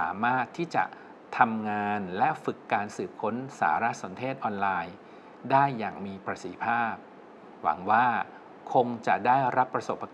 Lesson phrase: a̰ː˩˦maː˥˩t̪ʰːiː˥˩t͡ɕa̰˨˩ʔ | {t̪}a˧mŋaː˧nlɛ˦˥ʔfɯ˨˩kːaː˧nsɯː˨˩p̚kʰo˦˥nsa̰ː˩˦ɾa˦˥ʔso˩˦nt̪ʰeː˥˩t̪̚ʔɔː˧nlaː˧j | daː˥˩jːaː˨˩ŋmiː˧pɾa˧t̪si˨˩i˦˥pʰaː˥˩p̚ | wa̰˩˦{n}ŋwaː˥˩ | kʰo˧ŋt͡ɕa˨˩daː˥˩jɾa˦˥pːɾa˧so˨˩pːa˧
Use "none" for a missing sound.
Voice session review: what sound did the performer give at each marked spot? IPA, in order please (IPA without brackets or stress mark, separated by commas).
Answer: t̪ʰ, none